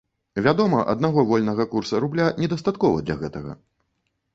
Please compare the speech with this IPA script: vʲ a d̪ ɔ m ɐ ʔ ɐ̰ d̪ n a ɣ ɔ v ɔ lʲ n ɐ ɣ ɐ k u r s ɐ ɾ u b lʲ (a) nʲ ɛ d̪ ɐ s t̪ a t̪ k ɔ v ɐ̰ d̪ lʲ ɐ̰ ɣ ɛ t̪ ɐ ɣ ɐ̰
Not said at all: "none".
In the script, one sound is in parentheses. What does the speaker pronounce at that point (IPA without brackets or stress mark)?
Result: a